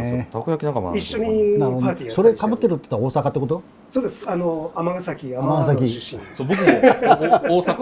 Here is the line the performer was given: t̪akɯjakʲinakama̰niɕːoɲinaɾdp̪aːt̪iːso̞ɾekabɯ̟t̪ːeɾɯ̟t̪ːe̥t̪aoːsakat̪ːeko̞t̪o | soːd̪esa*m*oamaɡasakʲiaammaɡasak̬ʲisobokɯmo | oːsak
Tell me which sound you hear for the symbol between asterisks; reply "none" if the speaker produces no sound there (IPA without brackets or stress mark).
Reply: n